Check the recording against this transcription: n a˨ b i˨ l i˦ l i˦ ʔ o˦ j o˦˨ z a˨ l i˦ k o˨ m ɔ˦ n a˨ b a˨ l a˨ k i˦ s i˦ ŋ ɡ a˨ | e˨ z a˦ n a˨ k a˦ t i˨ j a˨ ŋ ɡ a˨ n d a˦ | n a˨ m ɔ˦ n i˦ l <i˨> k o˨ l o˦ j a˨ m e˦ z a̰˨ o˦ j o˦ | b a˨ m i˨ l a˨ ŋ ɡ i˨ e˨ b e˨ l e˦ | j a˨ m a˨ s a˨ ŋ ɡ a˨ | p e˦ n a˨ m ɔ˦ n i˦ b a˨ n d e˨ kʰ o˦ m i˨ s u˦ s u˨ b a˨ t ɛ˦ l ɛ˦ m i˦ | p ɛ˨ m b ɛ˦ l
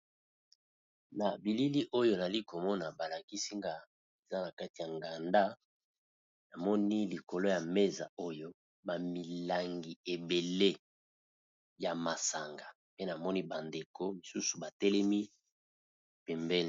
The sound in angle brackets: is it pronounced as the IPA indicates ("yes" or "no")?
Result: yes